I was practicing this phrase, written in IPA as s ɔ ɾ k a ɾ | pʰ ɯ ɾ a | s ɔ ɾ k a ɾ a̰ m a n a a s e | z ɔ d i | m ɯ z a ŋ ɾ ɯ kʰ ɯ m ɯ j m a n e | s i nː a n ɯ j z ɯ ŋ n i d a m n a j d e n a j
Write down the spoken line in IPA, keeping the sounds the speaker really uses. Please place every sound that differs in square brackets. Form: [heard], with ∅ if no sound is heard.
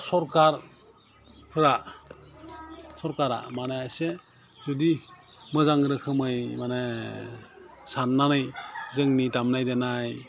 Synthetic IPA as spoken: s ɔ ɾ k a ɾ | pʰ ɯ ɾ a | s ɔ ɾ k a ɾ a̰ m a n a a s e | z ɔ d i | m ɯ z a ŋ ɾ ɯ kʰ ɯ m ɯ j m a n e | s [a] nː a n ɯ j z ɯ ŋ n i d a m n a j d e n a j